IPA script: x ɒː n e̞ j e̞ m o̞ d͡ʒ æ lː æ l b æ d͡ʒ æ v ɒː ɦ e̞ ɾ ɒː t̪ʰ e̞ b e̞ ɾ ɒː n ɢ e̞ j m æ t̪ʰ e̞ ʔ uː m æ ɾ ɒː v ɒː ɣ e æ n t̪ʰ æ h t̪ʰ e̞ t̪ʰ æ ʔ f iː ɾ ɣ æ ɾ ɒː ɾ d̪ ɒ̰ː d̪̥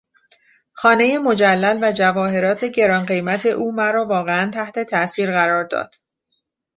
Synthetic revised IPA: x ɒː n e̞ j e̞ m o̞ d͡ʒ æ lː æ l v æ d͡ʒ æ v ɒː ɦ e̞ ɾ ɒː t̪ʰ e̞ ɟ e̞ ɾ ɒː n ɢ e̞ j m æ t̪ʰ e̞ ʔ uː m æ ɾ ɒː v ɒː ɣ e æ n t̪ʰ æ h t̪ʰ e̞ t̪ʰ æ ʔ s iː ɾ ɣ æ ɾ ɒː ɾ d̪ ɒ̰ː d̪̥

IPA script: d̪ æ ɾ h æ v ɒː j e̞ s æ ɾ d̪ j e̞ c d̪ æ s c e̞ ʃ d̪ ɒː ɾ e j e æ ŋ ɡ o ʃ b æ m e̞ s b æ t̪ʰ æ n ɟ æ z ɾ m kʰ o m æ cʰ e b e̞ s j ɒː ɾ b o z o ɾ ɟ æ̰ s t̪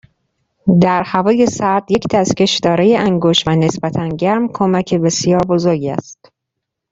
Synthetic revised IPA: d̪ æ ɾ h æ v ɒː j e̞ s æ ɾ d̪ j e̞ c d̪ æ s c e̞ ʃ d̪ ɒː ɾ e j e æ ŋ ɡ o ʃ v æ n e̞ s b æ t̪ʰ æ n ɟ æ ɾ m kʰ o m æ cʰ e b e̞ s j ɒː ɾ b o z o ɾ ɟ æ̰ s t̪

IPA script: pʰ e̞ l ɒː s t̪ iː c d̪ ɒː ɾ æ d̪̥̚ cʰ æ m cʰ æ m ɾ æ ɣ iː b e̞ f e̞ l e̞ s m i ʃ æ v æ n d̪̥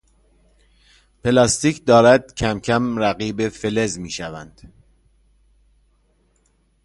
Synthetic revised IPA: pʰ e̞ l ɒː s t̪ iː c d̪ ɒː ɾ æ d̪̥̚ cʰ æ m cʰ æ m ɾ æ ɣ iː b e̞ f e̞ l e̞ z m iː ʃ æ v æ n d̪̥

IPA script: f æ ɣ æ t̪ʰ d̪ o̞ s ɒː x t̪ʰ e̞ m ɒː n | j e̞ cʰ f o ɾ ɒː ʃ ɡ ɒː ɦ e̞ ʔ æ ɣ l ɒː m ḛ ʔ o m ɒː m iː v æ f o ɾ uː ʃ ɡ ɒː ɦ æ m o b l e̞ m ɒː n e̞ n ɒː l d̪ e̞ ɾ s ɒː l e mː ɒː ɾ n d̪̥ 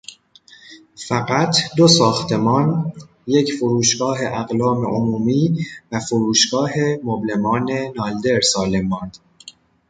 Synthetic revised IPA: f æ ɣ æ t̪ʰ d̪ o̞ s ɒː x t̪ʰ e̞ m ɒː n | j e̞ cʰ f o ɾ uː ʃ ɡ ɒː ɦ e̞ ʔ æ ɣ l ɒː m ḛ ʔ o m uː m iː v æ f o ɾ uː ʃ ɡ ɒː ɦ e m o b l e̞ m ɒː n e̞ n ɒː l d̪ e̞ ɾ s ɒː l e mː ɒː n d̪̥

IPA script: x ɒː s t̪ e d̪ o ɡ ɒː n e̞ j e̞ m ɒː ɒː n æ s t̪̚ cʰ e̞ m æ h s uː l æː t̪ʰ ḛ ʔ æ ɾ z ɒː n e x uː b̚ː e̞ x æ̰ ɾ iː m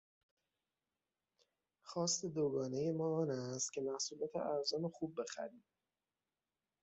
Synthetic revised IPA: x ɒː s t̪ e d̪ o ɡ ɒː n e̞ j e̞ m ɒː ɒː n æ s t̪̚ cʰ e̞ m æ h s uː l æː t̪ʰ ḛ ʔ æ ɾ z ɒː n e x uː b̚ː e̞ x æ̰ ɾ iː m

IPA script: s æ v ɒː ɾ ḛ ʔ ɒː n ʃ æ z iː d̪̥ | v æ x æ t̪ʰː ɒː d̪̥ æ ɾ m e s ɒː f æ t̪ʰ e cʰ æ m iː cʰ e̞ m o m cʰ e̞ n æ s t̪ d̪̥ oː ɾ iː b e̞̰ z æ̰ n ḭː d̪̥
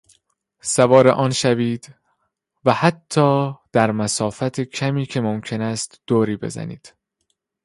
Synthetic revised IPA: s æ v ɒː ɾ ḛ ʔ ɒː n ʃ æ v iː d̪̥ | v æ h æ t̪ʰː ɒː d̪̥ æ ɾ m æ s ɒː f æ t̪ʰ e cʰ æ m iː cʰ e̞ m o m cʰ e̞ n æ s t̪ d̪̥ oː ɾ iː b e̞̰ z æ̰ n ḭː d̪̥

